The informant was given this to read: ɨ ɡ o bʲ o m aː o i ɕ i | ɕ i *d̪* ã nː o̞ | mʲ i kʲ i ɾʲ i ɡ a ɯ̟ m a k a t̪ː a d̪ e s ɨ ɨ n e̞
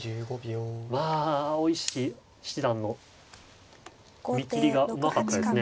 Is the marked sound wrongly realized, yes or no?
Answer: no